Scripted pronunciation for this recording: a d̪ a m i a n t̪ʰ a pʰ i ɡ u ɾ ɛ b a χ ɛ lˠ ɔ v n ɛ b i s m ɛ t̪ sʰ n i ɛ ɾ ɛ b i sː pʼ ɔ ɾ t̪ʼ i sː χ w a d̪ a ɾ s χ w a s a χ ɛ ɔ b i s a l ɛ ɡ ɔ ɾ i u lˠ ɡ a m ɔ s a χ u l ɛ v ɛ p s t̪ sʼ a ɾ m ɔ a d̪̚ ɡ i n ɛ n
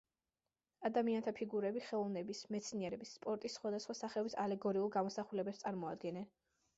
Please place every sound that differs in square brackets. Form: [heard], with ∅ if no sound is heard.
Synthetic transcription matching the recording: a d̪ a m i a n t̪ʰ a pʰ i ɡ u ɾ ɛ b [i] χ ɛ lˠ ɔ v n ɛ b i s m ɛ t̪ sʰ n i ɛ ɾ ɛ b i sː pʼ ɔ ɾ t̪ʼ i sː χ w a d̪ a [∅] s χ w a s a χ ɛ ɔ b i s a l ɛ ɡ ɔ ɾ i u lˠ ɡ a m ɔ s a χ u l ɛ [b] ɛ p s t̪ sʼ a ɾ m ɔ a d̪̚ ɡ [ɛ] n ɛ n